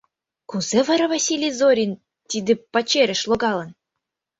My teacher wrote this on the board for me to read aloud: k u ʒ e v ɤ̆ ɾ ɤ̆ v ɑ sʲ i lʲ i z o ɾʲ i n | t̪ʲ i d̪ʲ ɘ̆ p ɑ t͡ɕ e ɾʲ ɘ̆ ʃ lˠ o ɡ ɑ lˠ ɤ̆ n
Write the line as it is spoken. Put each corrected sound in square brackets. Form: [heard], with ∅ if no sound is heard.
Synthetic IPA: k u [z] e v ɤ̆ ɾ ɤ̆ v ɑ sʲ i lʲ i z o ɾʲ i n | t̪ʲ i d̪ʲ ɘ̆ p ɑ t͡ɕ e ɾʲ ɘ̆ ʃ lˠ o ɡ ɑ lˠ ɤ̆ n